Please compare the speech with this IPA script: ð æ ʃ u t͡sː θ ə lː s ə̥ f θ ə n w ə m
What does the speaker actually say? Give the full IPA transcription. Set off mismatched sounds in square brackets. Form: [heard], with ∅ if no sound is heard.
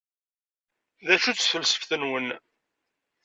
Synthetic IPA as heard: ð æ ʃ u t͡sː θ ə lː s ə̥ f θ ə n w ə [n]